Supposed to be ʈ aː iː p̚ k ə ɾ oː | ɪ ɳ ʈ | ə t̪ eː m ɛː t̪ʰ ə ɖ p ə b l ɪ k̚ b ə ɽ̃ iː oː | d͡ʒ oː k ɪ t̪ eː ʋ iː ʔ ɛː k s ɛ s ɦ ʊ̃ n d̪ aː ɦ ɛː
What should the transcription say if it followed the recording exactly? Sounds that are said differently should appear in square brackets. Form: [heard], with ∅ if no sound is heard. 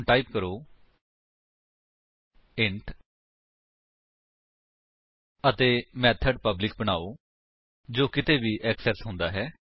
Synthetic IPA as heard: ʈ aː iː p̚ k ə ɾ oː | ɪ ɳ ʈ | ə t̪ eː m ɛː t̪ʰ ə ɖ p ə b l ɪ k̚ b ə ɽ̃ [aː] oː | d͡ʒ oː k ɪ t̪ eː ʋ iː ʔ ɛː k s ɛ s ɦ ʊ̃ n d̪ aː ɦ ɛː